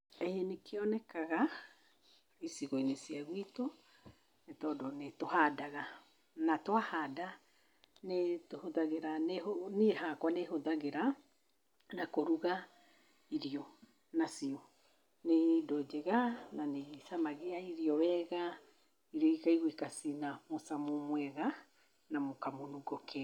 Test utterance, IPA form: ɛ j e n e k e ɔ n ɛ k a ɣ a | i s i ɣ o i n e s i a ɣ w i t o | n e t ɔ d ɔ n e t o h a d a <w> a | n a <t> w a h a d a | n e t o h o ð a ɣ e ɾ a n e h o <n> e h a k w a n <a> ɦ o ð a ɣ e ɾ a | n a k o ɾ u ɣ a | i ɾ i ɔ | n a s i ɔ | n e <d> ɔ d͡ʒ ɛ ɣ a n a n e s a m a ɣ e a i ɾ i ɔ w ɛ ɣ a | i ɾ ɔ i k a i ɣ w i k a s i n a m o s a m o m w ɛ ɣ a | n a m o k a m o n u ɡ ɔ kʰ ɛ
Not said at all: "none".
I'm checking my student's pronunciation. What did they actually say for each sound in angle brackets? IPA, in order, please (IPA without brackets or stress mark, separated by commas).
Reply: ɣ, t, n, e, d